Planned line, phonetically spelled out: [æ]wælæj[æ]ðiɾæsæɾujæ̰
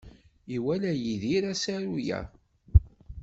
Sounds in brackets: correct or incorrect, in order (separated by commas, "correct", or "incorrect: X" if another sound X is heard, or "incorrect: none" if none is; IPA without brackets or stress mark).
incorrect: i, incorrect: i